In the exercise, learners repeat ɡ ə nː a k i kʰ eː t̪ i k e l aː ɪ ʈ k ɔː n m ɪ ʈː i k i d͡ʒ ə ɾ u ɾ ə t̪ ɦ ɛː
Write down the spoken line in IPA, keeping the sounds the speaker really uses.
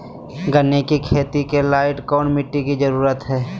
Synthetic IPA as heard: ɡ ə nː e k i kʰ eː t̪ i k e l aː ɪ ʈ k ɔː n m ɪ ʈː i k i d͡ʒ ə ɾ uː ɾ ə t̪ ɦ ɛː